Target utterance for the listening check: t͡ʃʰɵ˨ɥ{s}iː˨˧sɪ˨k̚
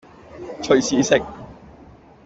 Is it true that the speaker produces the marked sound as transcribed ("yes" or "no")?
yes